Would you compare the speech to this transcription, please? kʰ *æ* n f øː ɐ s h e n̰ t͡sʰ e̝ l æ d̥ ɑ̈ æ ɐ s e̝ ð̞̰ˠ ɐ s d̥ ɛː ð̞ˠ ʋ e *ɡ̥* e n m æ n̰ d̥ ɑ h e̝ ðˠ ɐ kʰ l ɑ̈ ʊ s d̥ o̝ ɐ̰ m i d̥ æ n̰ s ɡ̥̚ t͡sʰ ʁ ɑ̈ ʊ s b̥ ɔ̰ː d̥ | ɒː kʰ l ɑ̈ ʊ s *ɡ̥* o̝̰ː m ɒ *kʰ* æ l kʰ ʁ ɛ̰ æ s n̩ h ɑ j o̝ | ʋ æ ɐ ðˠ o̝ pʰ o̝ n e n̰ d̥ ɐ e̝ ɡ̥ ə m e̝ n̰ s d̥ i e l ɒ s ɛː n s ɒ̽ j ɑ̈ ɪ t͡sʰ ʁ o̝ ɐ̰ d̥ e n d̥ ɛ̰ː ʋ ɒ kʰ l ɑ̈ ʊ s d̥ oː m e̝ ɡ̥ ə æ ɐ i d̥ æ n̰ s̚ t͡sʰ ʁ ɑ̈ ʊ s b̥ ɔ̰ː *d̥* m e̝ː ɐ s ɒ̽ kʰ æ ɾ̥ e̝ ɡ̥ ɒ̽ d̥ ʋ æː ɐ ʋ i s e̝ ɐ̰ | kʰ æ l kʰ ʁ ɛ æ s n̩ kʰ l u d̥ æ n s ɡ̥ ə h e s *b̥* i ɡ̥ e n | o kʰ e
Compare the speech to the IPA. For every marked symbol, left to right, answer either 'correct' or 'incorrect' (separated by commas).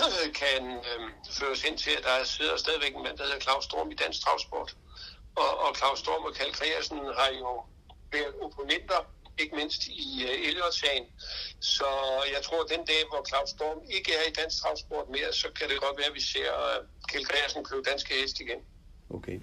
correct, correct, incorrect, correct, correct, incorrect